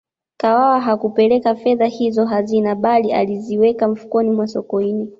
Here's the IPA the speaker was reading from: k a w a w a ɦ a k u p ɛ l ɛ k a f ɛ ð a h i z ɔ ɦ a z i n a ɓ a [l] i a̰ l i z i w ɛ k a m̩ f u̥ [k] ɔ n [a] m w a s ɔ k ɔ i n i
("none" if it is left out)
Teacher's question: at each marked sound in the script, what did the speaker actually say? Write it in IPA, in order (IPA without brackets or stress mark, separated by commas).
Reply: l, k, i